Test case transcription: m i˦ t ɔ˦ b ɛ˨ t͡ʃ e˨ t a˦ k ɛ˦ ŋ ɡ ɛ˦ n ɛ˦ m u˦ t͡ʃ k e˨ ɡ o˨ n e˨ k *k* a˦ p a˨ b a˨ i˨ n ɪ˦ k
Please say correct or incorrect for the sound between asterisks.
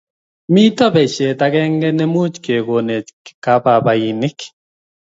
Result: correct